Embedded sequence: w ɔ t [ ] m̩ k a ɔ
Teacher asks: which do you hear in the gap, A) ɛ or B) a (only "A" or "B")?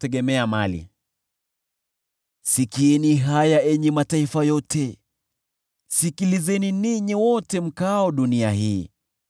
A